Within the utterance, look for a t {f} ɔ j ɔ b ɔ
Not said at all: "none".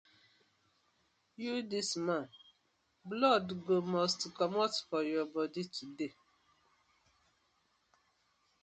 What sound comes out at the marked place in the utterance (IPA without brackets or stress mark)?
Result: f